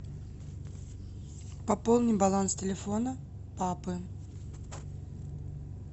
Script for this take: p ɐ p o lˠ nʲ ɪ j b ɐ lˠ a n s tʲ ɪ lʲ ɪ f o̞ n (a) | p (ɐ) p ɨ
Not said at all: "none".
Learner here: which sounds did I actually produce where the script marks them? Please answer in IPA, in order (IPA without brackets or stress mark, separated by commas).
ə, a